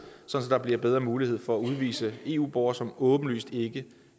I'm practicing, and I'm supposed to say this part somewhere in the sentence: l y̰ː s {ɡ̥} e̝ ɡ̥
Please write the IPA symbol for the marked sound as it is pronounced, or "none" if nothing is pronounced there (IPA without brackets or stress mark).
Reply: d̥